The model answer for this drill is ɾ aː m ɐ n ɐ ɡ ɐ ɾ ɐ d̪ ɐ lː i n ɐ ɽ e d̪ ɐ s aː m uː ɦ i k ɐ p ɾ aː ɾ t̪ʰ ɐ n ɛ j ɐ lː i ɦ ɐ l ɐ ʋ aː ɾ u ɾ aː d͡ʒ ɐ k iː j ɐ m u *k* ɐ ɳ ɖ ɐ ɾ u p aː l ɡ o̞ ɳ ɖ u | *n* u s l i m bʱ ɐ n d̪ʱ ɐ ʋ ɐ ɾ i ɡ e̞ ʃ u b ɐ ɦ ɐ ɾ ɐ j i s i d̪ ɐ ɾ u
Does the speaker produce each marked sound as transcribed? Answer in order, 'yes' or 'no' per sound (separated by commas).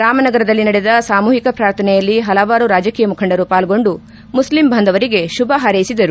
no, no